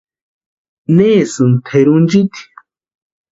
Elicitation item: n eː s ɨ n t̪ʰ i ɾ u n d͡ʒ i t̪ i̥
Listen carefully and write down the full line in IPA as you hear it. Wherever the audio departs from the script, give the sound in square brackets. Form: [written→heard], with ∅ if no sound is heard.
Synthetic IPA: n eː s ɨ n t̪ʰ [i→e] ɾ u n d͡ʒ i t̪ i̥